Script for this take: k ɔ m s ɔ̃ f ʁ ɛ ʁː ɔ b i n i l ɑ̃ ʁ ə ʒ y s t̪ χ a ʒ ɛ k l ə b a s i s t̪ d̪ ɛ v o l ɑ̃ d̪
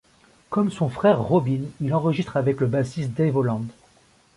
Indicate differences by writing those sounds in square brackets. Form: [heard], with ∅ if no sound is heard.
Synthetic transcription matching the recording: k ɔ m s ɔ̃ f [χ] ɛ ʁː ɔ b i n i l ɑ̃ ʁ ə ʒ [i] s t̪ χ a [v] ɛ k l ə b a s i s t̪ d̪ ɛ v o l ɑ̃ d̪

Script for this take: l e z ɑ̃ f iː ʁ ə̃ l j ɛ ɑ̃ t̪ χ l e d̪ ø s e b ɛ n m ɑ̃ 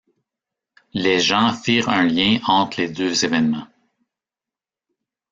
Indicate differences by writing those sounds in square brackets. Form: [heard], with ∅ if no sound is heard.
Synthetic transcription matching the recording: l e [ʒ] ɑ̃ f iː ʁ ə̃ l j [ɛ̃] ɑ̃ t̪ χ l e d̪ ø [z] e [v] ɛ n m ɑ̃

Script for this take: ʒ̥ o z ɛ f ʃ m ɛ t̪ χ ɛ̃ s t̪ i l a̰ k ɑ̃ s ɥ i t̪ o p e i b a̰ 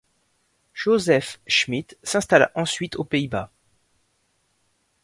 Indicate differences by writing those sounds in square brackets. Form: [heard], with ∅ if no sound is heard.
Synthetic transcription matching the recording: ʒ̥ o z ɛ f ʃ m [i] t̪ [s] ɛ̃ s t̪ [a] l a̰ [ʔ] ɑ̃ s ɥ i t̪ o p e i b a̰

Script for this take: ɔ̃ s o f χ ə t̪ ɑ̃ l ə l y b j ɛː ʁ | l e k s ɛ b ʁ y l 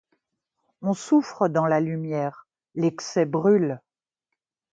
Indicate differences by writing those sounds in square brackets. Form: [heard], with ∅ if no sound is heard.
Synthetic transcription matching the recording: ɔ̃ s [u] f χ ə [d̪] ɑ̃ l [a] l y [m] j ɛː ʁ | l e k s ɛ b ʁ y l

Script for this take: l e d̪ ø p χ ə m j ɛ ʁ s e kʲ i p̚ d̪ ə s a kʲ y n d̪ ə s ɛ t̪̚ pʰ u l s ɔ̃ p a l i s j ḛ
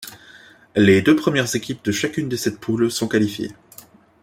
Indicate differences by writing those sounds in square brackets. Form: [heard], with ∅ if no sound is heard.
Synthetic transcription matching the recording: l e d̪ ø p χ ə m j ɛ ʁ [z] e kʲ i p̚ d̪ ə [ʃ] a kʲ y n d̪ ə s ɛ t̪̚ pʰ u l s ɔ̃ [k] a l i [f] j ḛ

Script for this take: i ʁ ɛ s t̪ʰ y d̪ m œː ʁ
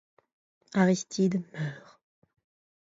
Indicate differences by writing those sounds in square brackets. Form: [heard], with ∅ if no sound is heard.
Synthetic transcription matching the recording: [a] ʁ [i] s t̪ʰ [i] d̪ m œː ʁ

